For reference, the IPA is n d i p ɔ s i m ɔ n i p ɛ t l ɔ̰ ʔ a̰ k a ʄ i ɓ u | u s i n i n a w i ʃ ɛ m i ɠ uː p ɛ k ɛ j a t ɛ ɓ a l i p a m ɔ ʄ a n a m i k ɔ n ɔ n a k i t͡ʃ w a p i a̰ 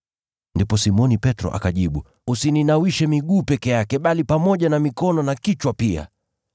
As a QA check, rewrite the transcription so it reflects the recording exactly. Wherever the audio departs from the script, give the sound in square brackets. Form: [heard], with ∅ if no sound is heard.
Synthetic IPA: n d i p ɔ s i m ɔ n i p ɛ t [ɾ] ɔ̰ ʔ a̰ k a ʄ i ɓ u | u s i n i n a w i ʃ ɛ m i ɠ uː p ɛ k ɛ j a [k] ɛ ɓ a l i p a m ɔ ʄ a n a m i k ɔ n ɔ n a k i t͡ʃ w a p i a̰